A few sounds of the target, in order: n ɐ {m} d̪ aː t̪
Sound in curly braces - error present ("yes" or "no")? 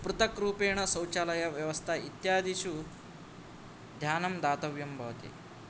no